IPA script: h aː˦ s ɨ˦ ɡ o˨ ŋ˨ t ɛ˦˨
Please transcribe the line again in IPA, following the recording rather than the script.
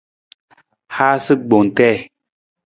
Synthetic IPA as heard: h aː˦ s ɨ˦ ɡ͡b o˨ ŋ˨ t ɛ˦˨